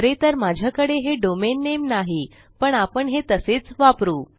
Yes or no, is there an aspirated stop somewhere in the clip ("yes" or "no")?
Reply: no